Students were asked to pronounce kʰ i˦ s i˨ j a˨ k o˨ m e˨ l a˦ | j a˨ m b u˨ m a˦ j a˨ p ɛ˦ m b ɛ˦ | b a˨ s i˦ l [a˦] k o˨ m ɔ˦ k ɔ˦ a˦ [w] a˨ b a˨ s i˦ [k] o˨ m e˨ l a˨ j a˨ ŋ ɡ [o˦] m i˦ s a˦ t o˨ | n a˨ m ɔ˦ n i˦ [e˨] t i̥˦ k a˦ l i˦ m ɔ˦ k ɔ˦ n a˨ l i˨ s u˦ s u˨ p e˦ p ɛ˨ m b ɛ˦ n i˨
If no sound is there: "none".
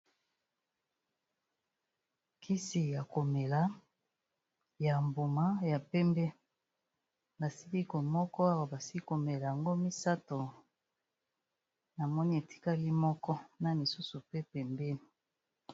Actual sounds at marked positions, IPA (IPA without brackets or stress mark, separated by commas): i˦, w, k, o˦, e˨